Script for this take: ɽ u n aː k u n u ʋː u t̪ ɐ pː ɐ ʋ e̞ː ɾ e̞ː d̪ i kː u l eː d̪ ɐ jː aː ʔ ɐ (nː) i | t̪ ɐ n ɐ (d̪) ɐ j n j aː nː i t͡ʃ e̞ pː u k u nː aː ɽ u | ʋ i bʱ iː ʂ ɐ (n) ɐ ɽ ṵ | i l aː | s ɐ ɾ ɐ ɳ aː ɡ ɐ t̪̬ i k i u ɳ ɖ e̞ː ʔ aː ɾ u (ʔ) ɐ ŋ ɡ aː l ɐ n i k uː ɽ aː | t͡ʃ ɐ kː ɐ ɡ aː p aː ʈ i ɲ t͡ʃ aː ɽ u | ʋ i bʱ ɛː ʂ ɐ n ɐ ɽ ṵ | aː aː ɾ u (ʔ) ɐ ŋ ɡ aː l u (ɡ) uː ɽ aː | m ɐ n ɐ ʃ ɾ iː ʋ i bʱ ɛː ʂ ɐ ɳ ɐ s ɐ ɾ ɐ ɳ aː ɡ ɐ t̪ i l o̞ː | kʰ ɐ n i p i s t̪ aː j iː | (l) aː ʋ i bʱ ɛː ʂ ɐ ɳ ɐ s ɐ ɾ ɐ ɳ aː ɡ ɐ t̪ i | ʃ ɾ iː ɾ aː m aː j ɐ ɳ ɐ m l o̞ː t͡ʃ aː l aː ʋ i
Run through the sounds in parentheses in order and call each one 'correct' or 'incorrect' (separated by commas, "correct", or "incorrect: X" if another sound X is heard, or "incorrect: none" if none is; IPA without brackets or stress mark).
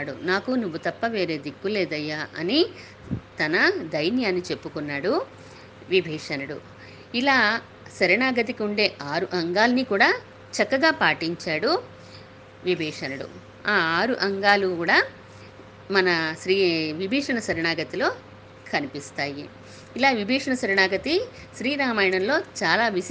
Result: incorrect: n, correct, correct, correct, correct, incorrect: k, correct